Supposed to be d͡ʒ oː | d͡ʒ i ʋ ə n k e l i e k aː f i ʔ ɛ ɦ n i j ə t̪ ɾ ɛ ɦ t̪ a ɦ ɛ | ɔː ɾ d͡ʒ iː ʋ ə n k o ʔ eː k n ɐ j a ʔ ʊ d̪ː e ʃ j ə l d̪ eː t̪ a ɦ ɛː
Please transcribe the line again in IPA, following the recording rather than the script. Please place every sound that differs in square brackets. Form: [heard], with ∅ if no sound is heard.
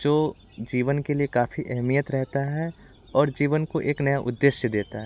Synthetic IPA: d͡ʒ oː | d͡ʒ [iː] ʋ ə n k e l i e k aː f i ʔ ɛ ɦ [m] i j ə t̪ ɾ ɛ ɦ t̪ a ɦ ɛ | ɔː ɾ d͡ʒ iː ʋ ə n k o ʔ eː k n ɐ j a ʔ ʊ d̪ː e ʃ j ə [∅] d̪ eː t̪ a ɦ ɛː